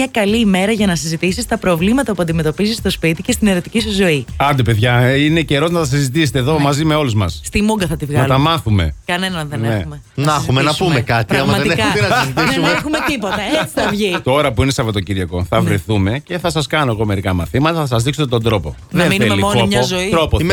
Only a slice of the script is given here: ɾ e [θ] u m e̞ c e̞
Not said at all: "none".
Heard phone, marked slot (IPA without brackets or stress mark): θ